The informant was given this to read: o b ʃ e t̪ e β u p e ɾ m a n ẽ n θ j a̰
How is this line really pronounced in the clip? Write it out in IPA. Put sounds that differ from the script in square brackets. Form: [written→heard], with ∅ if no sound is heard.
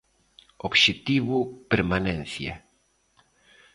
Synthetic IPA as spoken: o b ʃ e t̪ [e→i] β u p e ɾ m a n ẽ n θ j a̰